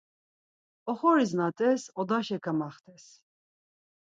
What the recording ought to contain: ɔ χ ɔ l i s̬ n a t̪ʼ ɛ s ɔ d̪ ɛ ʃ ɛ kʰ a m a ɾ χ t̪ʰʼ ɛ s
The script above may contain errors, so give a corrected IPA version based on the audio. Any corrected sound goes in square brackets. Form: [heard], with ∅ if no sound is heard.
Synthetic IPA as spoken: ɔ χ ɔ [ɾ] i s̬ n a t̪ʼ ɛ s ɔ d̪ [a] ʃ ɛ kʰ a m a [∅] χ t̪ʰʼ ɛ s